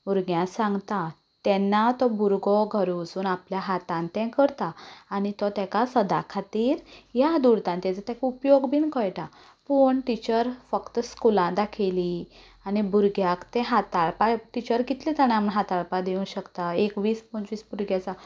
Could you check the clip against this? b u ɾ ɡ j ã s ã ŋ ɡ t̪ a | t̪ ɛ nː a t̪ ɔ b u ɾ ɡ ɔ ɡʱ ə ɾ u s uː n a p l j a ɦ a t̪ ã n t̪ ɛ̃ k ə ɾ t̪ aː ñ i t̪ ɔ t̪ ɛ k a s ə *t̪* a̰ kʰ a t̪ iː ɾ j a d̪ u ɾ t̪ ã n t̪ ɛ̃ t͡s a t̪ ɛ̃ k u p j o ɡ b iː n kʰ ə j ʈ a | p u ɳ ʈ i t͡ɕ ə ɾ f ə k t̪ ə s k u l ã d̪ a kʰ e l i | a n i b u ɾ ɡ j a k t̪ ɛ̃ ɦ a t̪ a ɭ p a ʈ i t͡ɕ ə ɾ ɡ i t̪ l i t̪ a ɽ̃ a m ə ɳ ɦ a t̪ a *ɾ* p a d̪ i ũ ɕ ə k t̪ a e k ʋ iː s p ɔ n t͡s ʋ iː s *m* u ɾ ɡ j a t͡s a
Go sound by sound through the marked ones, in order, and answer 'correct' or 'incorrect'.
incorrect: d̪, incorrect: ɭ, incorrect: b

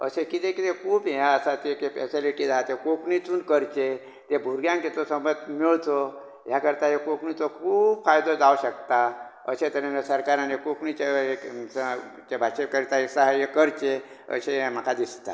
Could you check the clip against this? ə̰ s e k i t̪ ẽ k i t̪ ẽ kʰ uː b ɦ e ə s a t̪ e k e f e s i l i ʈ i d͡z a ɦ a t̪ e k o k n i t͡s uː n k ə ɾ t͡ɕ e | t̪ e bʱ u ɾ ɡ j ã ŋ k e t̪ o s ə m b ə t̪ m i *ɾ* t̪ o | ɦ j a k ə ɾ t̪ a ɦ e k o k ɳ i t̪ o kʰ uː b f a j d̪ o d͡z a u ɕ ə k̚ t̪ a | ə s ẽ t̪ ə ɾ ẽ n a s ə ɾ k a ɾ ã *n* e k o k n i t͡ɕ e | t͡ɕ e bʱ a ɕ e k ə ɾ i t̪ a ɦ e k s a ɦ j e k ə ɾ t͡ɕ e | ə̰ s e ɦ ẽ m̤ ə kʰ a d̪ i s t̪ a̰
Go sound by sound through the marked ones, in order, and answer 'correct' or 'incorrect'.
incorrect: ɭ, correct

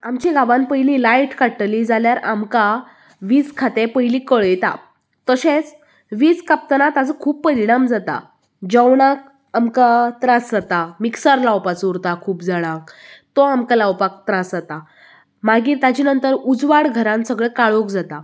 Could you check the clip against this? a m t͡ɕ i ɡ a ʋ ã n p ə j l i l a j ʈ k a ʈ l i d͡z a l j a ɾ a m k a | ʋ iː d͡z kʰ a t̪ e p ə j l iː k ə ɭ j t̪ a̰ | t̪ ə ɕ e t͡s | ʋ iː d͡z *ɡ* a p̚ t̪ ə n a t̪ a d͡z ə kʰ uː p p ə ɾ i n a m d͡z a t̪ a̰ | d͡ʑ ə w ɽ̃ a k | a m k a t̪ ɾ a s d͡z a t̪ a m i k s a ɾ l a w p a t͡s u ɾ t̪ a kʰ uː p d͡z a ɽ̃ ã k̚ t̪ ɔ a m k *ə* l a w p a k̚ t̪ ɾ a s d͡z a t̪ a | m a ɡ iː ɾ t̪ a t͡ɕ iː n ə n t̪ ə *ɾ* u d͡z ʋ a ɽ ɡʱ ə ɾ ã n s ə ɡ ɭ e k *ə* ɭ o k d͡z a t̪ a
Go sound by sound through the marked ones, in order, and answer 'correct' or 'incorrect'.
incorrect: k, incorrect: a, correct, incorrect: a

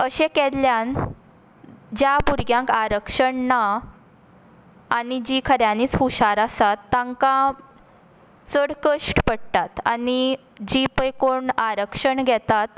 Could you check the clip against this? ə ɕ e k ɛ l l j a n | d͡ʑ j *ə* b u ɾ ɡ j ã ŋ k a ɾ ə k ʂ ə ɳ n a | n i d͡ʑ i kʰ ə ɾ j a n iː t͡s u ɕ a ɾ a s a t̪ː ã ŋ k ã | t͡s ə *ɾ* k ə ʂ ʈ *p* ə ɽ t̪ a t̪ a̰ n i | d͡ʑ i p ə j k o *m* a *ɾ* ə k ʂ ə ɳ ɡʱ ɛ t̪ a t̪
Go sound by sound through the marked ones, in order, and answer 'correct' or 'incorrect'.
incorrect: a, incorrect: ɽ, correct, incorrect: ɳ, correct

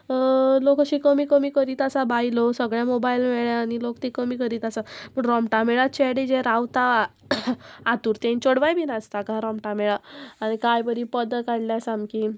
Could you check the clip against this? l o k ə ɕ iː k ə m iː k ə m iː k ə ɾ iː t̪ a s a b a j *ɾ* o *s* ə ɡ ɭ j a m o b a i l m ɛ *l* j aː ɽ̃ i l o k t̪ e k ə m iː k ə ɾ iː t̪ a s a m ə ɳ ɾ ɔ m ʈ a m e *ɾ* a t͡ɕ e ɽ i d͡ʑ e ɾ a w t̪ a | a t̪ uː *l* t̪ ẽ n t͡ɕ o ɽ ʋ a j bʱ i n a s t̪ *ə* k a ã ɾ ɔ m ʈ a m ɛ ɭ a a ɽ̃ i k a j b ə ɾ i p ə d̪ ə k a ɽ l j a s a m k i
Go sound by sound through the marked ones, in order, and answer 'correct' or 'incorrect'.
incorrect: l, correct, incorrect: ɭ, incorrect: ɭ, incorrect: ɾ, incorrect: a

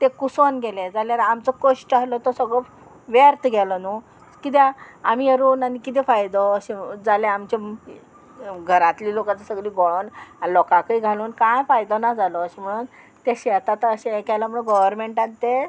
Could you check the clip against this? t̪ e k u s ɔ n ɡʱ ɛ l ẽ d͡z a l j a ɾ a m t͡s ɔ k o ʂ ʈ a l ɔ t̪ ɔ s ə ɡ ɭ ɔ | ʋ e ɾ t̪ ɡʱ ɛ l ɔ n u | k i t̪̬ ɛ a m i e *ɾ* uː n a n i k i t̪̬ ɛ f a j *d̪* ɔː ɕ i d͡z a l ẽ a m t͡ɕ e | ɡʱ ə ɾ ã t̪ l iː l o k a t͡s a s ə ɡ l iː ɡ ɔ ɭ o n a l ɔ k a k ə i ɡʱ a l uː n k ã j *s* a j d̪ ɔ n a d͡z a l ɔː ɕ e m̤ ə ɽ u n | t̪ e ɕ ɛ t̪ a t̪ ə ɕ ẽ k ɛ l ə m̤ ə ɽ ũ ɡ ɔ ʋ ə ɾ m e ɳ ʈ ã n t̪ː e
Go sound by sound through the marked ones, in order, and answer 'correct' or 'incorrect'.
correct, correct, incorrect: f

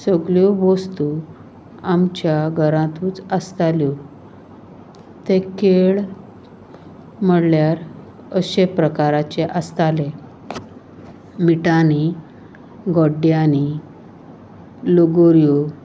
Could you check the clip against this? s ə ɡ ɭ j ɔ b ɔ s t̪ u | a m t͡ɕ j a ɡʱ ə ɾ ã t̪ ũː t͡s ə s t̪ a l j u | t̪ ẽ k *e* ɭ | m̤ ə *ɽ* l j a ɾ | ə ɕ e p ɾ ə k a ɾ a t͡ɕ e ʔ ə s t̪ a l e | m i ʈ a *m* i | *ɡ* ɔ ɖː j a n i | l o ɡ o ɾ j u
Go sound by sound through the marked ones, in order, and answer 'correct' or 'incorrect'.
correct, correct, incorrect: n, correct

